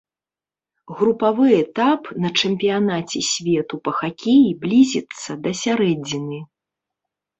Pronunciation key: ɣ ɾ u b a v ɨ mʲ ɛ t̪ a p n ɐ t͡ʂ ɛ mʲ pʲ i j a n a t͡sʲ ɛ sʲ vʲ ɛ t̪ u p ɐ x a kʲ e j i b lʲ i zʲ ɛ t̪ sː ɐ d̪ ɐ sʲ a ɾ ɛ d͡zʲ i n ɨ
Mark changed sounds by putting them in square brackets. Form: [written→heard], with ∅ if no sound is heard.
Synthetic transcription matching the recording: ɣ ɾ u [b→p] a v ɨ [mʲ→∅] ɛ t̪ a p n ɐ t͡ʂ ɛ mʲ pʲ i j a n a t͡sʲ ɛ sʲ vʲ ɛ t̪ u p ɐ x a kʲ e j i b lʲ i zʲ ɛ t̪ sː ɐ d̪ ɐ sʲ a ɾ ɛ d͡zʲ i n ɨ

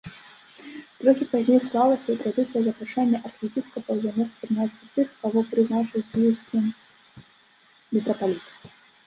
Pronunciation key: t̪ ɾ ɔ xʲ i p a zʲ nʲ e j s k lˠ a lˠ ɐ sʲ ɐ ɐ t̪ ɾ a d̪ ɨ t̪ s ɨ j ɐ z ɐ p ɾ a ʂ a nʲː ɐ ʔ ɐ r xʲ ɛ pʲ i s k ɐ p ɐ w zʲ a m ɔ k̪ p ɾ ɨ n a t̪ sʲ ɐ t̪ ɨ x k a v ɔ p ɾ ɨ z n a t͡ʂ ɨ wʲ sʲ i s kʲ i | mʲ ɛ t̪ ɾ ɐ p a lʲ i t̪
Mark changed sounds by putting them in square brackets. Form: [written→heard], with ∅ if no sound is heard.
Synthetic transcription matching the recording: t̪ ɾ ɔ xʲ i p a zʲ nʲ e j s k lˠ a lˠ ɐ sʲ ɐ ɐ t̪ ɾ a d̪ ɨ t̪ s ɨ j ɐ z ɐ p ɾ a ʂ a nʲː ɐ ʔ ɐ r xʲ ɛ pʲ i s k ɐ p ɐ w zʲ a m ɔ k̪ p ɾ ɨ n a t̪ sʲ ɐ t̪ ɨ x k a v ɔ p ɾ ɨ z n a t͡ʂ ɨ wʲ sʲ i s kʲ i | mʲ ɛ t̪ ɾ ɐ p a lʲ i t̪

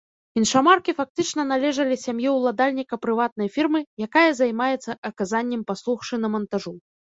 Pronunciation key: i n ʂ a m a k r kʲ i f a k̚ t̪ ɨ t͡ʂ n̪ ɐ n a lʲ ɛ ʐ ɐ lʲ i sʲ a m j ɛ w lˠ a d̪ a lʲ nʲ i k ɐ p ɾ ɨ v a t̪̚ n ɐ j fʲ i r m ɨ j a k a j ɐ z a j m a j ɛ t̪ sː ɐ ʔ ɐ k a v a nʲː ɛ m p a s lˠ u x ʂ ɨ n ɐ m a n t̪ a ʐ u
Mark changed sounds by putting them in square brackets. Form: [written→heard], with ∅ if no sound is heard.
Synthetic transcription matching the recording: i n ʂ a m a [k→∅] r kʲ i f a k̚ t̪ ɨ t͡ʂ n̪ ɐ n a lʲ ɛ ʐ ɐ lʲ i sʲ a m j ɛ w lˠ a d̪ a lʲ nʲ i k ɐ p ɾ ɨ v a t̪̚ n ɐ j fʲ i r m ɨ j a k a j ɐ z a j m a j ɛ t̪ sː ɐ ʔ ɐ k a [v→z] a nʲː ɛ m p a s lˠ u x ʂ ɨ n ɐ m [a→ɐ] n t̪ a ʐ u

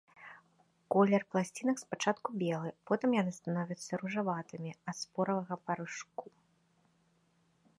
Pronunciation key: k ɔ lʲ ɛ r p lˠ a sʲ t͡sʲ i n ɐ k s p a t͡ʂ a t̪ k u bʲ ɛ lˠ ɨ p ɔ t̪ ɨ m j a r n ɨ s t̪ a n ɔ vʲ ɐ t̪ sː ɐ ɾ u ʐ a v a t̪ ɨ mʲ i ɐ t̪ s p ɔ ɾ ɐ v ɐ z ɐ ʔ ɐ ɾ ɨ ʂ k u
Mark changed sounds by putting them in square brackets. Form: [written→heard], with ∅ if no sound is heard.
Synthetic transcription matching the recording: k ɔ lʲ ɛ r p lˠ a sʲ t͡sʲ i n ɐ k s p a t͡ʂ a t̪ k u bʲ ɛ lˠ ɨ p ɔ t̪ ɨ m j a [r→∅] n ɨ s t̪ a n ɔ vʲ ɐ t̪ sː ɐ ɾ u ʐ a v a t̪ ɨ mʲ i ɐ t̪ s p ɔ ɾ ɐ v ɐ [z→ɣ] ɐ [ʔ→p] ɐ ɾ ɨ ʂ k u

